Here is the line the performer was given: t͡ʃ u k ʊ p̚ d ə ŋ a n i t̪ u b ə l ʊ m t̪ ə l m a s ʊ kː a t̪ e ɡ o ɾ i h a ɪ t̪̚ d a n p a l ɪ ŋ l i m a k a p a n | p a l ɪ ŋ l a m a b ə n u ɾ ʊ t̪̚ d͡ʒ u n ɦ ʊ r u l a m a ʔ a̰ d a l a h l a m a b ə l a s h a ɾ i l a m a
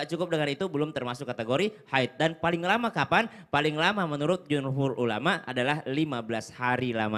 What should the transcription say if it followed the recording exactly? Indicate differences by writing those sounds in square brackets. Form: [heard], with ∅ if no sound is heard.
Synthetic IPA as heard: t͡ʃ u k ʊ p̚ d ə ŋ a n i t̪ u b ə l ʊ m t̪ ə [r] m a s ʊ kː a t̪ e ɡ o ɾ i h a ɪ t̪̚ d a n p a l ɪ ŋ l [a] m a k a p a n | p a l ɪ ŋ l a m a [m] ə n u ɾ ʊ t̪̚ d͡ʒ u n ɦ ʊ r u l a m a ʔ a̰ d a l a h l [i] m a b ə l a s h a ɾ i l a m a